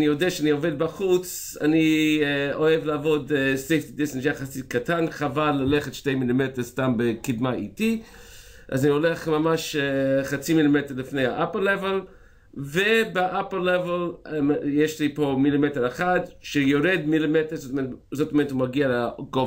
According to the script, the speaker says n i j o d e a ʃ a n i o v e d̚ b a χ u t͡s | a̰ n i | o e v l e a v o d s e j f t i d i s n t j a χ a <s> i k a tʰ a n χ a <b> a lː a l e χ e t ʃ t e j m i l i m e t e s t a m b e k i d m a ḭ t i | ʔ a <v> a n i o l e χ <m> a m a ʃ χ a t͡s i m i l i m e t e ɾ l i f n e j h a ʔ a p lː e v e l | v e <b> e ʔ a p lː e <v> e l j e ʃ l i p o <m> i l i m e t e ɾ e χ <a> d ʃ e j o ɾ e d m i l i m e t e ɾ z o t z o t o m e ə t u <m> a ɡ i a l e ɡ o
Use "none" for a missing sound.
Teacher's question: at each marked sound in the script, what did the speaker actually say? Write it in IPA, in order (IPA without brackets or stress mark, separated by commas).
s, v, z, m, b, v, m, a, m